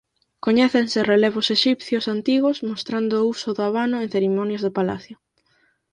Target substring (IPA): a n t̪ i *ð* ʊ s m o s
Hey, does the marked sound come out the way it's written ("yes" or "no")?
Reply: no